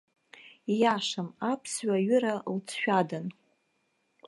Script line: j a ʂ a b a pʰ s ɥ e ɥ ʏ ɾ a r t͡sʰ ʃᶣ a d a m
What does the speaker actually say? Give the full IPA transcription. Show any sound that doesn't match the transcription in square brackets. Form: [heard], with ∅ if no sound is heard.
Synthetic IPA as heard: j a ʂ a [m] a pʰ s ɥ [a] ɥ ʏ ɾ a [l] t͡sʰ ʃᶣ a d a [n]